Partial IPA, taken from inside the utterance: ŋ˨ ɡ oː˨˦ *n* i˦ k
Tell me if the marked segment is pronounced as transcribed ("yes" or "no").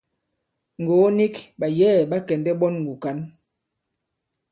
yes